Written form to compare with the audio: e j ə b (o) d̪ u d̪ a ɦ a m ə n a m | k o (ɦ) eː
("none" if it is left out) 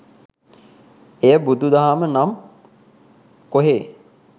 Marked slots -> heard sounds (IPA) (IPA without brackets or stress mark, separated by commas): u, ɦ